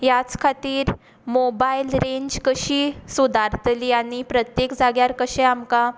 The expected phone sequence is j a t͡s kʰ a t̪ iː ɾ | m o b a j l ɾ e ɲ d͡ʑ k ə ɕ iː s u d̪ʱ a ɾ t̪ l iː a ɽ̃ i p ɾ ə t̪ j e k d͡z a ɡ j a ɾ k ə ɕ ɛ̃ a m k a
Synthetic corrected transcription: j a t͡s kʰ a t̪ iː ɾ | m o b a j l ɾ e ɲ d͡ʑ k ə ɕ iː s u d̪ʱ a ɾ t̪ l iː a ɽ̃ i p ɾ ə t̪ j e k d͡z a ɡ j a ɾ k ə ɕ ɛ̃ a m k a